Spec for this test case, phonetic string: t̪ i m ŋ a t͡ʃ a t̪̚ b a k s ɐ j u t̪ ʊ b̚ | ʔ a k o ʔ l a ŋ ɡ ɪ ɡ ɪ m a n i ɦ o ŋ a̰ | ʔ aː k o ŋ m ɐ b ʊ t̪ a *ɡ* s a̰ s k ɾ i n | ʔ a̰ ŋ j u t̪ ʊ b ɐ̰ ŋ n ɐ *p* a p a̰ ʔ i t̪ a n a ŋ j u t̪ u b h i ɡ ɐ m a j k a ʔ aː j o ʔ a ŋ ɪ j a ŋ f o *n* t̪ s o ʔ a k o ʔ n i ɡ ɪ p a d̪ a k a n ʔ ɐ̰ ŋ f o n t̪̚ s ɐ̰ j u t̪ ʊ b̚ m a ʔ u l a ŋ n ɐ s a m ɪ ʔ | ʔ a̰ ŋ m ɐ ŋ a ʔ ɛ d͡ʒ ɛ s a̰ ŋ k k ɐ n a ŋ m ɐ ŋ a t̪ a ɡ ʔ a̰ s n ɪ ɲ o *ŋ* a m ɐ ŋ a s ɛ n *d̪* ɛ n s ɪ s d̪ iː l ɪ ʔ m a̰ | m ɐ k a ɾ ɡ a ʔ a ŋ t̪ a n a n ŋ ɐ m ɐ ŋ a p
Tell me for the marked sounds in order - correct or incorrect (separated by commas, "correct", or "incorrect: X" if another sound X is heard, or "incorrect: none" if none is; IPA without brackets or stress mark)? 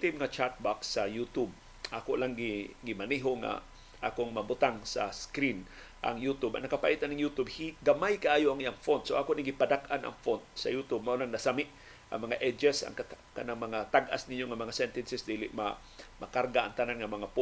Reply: incorrect: ŋ, incorrect: k, correct, correct, incorrect: t̪